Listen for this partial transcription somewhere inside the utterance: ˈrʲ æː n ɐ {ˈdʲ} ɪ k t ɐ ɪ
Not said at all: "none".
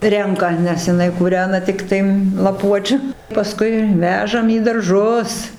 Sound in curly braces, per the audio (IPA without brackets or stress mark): tʲ